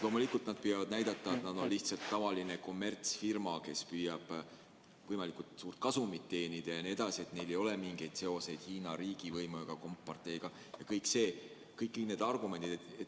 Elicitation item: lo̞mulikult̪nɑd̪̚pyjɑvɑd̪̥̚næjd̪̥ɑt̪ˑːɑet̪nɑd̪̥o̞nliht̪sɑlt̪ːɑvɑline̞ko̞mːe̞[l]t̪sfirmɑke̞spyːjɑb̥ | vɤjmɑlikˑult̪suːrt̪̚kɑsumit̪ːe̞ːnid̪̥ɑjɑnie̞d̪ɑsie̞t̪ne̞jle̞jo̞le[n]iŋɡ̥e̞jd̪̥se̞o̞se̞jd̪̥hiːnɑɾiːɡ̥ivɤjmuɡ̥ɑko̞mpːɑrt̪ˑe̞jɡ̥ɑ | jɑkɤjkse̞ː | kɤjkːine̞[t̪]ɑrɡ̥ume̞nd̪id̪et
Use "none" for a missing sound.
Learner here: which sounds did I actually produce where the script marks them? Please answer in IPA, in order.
r, m, d̪

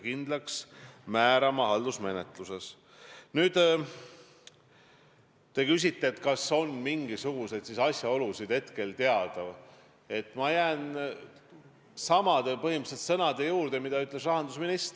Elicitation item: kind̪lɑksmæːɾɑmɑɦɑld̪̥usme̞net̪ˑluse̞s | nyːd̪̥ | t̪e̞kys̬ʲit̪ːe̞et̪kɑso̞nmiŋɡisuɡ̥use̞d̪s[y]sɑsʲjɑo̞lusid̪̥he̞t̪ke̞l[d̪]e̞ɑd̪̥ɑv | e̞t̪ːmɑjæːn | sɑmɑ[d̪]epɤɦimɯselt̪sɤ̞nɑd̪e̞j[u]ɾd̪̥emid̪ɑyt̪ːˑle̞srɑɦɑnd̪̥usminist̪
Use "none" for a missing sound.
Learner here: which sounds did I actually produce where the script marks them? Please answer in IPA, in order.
i, t̪, d̪, uː

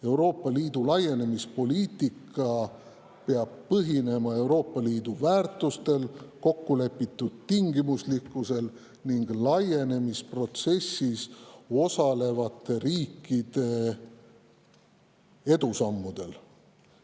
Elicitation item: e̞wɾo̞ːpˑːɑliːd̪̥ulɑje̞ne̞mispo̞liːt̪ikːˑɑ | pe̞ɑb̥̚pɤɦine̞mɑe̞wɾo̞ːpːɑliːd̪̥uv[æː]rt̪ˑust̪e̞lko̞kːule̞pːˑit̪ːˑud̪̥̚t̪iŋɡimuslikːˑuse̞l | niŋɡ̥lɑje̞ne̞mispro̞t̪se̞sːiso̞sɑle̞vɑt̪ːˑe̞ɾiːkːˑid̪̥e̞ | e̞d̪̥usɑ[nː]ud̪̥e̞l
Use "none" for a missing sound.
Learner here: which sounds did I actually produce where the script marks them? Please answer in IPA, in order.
æː, mː

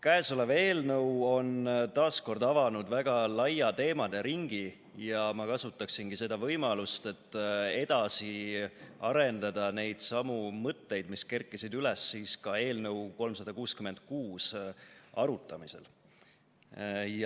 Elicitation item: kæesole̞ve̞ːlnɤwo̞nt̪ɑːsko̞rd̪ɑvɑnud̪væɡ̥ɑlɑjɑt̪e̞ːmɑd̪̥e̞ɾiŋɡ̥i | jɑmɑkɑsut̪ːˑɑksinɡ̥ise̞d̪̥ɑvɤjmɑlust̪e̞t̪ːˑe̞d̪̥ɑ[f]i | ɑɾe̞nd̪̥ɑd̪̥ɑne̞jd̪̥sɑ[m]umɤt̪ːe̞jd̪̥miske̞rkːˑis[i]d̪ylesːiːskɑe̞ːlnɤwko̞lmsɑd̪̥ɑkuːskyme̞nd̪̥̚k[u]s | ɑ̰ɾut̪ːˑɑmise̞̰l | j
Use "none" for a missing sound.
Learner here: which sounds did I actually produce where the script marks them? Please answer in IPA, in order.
s, m, i, uː

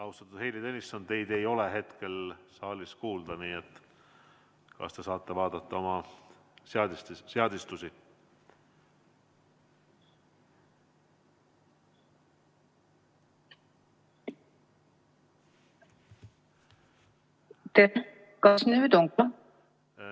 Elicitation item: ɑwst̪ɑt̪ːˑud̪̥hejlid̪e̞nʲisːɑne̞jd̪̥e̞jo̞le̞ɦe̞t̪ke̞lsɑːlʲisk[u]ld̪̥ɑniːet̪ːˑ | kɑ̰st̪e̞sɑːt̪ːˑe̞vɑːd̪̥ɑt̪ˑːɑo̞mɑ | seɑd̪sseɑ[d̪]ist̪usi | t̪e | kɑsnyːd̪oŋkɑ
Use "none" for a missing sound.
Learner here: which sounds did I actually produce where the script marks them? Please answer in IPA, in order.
uː, d̪

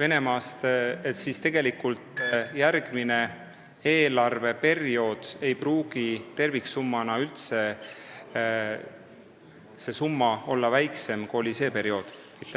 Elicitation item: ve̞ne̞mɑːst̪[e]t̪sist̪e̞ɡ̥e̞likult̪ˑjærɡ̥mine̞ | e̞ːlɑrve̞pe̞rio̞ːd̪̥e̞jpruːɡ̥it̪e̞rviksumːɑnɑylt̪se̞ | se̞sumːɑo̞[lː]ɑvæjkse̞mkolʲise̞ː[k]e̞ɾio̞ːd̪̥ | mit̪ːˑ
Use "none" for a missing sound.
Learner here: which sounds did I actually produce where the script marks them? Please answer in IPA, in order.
e, lː, p

